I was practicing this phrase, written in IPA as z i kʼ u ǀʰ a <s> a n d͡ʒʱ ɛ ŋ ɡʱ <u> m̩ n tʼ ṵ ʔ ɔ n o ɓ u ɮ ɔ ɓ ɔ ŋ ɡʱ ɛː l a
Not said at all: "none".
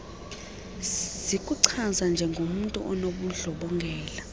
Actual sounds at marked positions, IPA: z, o

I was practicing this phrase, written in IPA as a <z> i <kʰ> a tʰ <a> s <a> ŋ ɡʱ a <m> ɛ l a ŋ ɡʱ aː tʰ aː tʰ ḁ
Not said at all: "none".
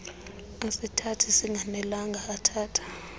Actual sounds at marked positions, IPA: s, tʰ, i, i, n

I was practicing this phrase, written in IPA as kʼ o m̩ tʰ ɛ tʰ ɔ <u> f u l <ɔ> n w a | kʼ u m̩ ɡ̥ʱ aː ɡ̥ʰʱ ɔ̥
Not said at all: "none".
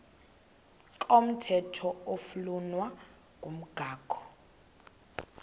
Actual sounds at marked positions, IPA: o, u

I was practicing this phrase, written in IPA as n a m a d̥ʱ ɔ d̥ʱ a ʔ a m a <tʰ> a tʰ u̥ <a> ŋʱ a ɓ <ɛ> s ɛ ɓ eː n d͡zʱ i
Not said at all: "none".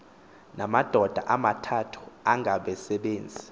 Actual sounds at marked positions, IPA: tʰ, a, ɛ

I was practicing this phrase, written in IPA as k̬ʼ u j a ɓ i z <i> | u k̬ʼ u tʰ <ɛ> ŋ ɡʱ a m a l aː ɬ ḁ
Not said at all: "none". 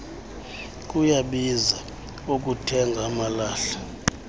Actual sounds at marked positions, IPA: a, ɛ

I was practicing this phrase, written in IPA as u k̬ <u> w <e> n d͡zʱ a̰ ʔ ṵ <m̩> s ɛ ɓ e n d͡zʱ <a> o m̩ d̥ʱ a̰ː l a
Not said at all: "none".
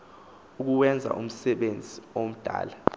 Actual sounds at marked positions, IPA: u, ɛ, m̩, i

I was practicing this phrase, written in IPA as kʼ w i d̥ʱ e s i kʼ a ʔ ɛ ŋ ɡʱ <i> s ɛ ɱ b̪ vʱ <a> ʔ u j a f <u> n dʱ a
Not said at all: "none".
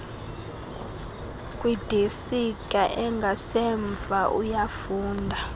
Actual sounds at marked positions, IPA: a, a, uː

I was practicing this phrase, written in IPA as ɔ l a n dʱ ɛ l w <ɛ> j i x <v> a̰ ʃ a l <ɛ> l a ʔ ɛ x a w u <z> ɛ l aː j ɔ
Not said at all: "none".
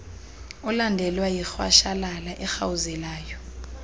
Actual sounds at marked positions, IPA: a, w, a, z

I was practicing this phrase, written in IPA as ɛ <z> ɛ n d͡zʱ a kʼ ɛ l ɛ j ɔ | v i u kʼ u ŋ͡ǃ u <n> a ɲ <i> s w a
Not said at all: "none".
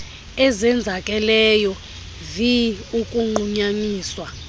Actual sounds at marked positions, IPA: z, ɲ, iː

